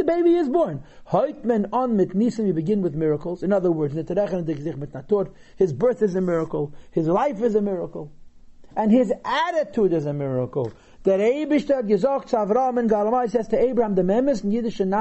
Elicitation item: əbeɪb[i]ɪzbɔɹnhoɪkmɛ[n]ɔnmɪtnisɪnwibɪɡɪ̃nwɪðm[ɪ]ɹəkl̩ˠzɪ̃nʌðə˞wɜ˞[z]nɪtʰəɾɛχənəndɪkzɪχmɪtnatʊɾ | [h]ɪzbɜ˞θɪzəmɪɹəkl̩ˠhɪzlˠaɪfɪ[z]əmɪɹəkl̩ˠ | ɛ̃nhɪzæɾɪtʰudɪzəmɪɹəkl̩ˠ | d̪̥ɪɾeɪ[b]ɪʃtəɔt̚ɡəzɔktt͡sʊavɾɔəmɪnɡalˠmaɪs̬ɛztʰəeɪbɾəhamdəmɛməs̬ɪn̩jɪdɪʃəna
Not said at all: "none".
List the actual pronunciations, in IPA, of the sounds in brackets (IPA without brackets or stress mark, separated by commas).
i, n, ɪ, z, h, z, b